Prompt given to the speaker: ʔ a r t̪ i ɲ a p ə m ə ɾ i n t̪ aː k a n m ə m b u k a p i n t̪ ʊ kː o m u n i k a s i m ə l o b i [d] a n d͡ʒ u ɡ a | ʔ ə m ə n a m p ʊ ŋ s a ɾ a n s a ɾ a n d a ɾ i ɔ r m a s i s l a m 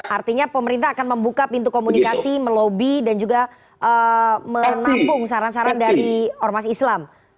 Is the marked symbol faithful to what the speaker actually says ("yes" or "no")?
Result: yes